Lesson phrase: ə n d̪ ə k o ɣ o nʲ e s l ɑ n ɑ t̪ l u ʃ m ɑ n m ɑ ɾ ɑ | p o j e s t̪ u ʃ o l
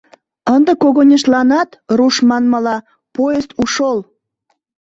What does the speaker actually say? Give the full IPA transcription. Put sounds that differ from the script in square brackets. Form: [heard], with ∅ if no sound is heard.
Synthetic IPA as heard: ə n d̪ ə k o ɣ o nʲ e [ʃ] l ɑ n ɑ t̪ [r] u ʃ m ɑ n m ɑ [l] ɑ | p o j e s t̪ u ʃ o l

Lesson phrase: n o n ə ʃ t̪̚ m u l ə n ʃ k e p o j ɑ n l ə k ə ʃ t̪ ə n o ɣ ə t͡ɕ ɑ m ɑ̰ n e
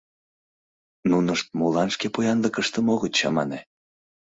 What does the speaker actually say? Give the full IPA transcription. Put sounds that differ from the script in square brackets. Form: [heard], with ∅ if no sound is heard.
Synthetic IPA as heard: n [u] n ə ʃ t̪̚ m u l [ɑ] n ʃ k e p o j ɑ n l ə k ə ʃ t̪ ə [m] o ɣ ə t͡ɕ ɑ m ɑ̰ n e

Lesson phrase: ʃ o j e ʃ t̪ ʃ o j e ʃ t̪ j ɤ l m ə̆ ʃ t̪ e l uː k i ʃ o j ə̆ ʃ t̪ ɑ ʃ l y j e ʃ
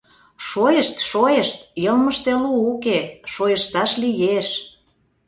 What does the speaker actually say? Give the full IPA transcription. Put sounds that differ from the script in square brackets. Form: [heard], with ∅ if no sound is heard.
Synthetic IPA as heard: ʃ o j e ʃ t̪ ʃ o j e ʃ t̪ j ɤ l m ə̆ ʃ t̪ e l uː k [e] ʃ o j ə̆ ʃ t̪ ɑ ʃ l [i] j e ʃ

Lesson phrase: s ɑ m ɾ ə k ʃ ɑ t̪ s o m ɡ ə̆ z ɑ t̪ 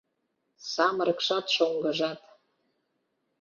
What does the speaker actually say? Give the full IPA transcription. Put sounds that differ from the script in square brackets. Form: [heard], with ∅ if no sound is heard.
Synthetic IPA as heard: s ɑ m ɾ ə k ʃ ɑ t̪ [ʃ] o [ŋ] ɡ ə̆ [ʒ] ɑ t̪

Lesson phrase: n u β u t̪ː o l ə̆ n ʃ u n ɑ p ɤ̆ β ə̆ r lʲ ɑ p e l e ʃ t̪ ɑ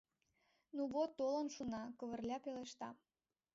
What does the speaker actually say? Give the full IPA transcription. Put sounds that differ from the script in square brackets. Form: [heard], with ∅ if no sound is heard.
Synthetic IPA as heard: n u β [o] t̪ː o l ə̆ n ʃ u n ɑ [k] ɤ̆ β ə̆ r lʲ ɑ p e l e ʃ t̪ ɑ

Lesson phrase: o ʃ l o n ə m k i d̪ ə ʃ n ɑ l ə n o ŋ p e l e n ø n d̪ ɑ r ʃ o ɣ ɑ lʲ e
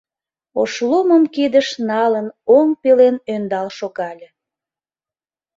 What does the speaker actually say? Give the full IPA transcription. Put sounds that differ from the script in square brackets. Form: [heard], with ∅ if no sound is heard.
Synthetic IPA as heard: o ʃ l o [m] ə m k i d̪ ə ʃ n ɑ l ə n o ŋ p e l e n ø n d̪ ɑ [l] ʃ o ɣ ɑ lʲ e

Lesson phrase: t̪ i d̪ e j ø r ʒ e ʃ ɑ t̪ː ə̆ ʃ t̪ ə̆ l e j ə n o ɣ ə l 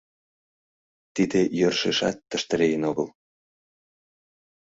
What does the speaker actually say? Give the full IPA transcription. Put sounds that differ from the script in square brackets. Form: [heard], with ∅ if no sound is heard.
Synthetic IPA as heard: t̪ i d̪ e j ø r [ʃ] e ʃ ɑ t̪ː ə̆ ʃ t̪ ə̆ [ɾ] e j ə n o ɣ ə l

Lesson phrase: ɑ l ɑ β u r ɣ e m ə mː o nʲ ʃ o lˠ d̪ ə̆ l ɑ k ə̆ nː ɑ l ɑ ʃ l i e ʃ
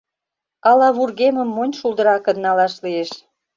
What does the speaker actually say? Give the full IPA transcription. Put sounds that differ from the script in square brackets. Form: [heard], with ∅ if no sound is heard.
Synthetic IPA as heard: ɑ l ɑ β u r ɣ e m ə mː o nʲ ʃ [u] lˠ d̪ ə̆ [ɾ] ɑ k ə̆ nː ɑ l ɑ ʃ l i e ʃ

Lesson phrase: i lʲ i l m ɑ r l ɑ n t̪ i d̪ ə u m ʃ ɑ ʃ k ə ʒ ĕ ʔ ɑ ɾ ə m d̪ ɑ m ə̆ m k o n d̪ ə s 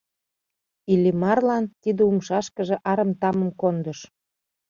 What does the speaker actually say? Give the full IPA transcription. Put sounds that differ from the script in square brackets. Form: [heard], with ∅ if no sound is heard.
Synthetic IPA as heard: i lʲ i [∅] m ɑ r l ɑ n t̪ i d̪ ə u m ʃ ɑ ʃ k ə ʒ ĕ ʔ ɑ ɾ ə m [t̪] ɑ m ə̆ m k o n d̪ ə [ʃ]

